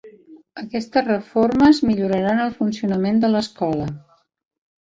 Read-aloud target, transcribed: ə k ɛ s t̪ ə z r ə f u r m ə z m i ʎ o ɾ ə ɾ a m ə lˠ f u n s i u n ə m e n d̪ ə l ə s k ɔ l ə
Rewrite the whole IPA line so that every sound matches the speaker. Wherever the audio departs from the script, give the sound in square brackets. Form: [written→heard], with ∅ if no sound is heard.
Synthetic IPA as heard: ə k ɛ s t̪ ə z r ə f [u→o] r m ə z m i ʎ [o→u] ɾ ə ɾ a [m→n] ə lˠ f u n s i u n ə m e n d̪ ə l ə s k ɔ l ə